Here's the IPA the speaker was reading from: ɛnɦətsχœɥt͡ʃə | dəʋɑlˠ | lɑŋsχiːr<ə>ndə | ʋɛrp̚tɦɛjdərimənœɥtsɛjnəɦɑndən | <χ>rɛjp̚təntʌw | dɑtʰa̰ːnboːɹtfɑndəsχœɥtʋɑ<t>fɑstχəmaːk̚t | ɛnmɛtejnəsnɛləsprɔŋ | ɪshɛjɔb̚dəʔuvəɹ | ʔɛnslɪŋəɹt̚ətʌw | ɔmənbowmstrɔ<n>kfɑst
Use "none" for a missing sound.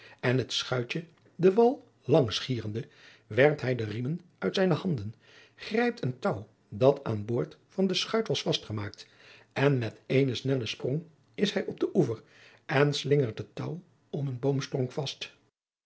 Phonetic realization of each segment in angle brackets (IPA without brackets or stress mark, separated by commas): ə, χ, s, ŋ